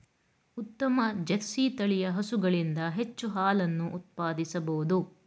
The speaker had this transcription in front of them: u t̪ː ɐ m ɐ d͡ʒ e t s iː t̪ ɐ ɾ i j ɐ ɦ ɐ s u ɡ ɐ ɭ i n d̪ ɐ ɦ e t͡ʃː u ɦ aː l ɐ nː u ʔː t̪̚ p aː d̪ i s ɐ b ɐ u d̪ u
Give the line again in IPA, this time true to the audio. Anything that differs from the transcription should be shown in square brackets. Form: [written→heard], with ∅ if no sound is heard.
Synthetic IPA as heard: u t̪ː ɐ m ɐ d͡ʒ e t s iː t̪ ɐ [ɾ→ɭ] i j ɐ ɦ ɐ s u ɡ ɐ ɭ i n d̪ ɐ ɦ e t͡ʃː u ɦ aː l ɐ nː u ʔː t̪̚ p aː d̪ i s ɐ b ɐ u d̪ u